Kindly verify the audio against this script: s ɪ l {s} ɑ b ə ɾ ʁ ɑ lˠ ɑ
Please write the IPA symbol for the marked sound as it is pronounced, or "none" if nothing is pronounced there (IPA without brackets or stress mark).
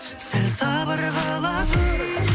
s